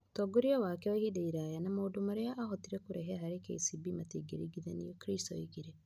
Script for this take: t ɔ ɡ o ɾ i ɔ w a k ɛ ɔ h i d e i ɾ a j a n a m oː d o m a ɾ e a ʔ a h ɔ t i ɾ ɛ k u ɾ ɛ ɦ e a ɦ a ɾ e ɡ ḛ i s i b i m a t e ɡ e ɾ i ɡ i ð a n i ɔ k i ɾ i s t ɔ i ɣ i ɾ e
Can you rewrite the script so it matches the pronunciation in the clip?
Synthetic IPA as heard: t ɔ ɡ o ɾ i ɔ w a k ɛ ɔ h i d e i ɾ a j a n a m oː d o m a ɾ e a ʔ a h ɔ t i ɾ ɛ k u ɾ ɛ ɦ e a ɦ a ɾ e k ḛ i s i b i m a t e ɡ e ɾ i ɡ i ð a n i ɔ k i ɾ i s t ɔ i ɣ i ɾ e